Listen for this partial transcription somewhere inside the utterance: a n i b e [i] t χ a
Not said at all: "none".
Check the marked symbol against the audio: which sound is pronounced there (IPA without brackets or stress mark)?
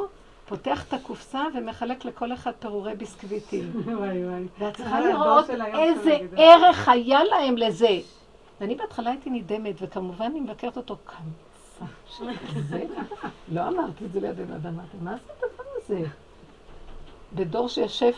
a